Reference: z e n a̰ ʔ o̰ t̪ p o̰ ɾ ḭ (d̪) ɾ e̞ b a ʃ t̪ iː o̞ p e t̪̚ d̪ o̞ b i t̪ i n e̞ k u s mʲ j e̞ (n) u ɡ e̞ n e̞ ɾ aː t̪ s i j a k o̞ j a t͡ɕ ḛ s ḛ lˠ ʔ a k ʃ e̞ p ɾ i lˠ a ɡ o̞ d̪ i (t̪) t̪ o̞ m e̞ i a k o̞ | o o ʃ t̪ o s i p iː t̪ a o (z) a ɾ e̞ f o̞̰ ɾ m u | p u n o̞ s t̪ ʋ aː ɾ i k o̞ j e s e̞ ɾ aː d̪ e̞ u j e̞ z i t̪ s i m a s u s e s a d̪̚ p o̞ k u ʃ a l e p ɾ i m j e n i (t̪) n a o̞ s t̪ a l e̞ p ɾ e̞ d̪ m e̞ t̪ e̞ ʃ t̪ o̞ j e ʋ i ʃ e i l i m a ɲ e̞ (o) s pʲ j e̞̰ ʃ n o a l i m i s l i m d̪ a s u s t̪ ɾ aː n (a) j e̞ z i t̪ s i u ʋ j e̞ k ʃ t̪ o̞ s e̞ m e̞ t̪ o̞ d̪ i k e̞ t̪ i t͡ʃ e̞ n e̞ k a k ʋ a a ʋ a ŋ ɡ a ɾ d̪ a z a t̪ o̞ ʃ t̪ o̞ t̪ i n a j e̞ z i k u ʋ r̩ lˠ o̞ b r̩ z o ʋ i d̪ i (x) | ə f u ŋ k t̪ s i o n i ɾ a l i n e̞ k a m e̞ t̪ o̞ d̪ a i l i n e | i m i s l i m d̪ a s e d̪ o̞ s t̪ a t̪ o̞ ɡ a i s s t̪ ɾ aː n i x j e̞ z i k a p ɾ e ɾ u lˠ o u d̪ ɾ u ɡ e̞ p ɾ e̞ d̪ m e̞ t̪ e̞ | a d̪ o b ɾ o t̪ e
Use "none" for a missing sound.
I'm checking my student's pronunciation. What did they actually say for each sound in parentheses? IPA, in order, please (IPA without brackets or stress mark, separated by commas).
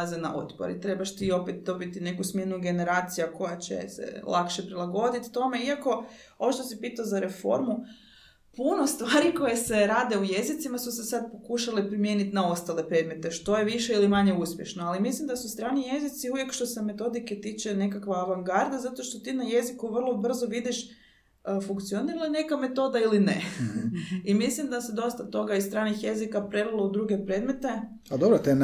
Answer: t̪, n, t̪, z, t̪, u, i, ʃ